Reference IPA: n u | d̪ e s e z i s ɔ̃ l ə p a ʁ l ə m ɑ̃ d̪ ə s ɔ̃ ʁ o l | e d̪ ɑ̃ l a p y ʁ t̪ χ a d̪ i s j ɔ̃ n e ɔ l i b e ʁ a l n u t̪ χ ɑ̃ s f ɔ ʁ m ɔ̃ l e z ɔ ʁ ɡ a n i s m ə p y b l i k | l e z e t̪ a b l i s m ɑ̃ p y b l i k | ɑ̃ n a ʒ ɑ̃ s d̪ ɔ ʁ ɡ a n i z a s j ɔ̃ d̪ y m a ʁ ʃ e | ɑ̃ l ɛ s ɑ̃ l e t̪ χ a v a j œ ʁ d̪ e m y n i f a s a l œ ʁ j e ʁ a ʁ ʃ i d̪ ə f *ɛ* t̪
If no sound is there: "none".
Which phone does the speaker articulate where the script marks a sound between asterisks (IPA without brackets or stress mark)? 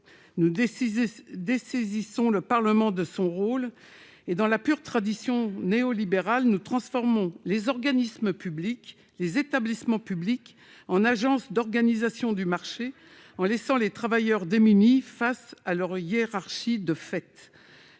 ɛ